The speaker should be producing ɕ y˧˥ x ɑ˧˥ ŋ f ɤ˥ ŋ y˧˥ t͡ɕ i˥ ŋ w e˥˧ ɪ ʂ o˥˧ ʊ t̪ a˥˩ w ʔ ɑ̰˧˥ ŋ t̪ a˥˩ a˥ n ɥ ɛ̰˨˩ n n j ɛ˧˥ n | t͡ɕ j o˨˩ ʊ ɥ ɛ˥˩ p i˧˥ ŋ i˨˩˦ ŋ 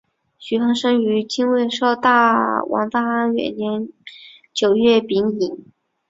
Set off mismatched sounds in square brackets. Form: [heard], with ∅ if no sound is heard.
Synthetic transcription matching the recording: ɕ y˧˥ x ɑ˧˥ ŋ [ʂ] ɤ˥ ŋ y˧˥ t͡ɕ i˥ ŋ w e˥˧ ɪ ʂ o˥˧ ʊ t̪ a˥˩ w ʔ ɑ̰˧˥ ŋ t̪ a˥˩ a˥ n ɥ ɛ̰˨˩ n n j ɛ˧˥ n | t͡ɕ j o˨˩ ʊ ɥ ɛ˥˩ p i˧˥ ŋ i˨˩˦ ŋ